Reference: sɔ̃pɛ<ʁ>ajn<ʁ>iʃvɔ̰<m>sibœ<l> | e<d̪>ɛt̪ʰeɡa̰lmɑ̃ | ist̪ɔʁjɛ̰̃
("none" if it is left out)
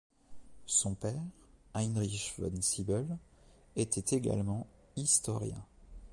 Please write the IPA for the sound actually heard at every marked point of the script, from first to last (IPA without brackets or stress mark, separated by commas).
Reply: ʁ, ʁ, n, l, t̪